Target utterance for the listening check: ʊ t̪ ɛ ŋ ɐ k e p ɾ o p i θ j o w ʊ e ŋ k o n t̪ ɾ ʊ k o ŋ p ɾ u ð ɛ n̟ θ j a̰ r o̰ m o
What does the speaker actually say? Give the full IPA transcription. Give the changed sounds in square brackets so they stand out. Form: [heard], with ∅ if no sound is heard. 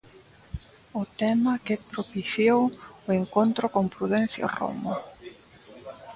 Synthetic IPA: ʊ t̪ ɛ [m] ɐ k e p ɾ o p i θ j o w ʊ e ŋ k o n t̪ ɾ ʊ k o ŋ p ɾ u ð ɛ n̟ θ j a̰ r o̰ m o